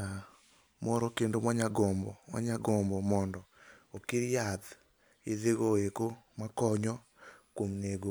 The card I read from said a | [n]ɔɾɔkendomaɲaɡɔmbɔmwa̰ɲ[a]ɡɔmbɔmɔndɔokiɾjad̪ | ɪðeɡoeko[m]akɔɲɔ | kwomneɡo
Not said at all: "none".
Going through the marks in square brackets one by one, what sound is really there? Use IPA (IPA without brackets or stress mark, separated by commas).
m, a, m